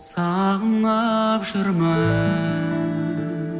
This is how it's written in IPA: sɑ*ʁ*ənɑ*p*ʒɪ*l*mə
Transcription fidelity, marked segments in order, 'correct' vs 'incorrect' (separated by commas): correct, correct, incorrect